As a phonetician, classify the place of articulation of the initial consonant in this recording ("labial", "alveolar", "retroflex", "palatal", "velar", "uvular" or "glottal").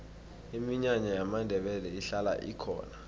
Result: labial